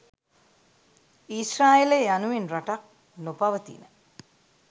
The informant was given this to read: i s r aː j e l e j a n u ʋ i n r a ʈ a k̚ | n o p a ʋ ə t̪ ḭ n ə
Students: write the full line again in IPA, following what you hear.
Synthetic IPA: i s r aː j e l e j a n u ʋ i n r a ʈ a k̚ | n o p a ʋ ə t̪ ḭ n ə